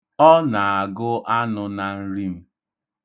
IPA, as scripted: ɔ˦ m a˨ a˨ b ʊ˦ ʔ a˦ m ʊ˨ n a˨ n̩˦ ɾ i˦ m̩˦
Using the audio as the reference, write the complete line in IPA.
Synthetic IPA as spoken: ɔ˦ n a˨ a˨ ɡ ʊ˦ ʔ a˦ n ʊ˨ n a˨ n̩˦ ɾ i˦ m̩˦